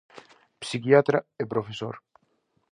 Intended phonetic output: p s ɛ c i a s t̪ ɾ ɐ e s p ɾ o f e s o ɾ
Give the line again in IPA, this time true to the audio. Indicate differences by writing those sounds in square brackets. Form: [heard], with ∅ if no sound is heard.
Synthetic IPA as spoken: p s [i] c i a [∅] t̪ ɾ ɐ e [∅] p ɾ o f e s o ɾ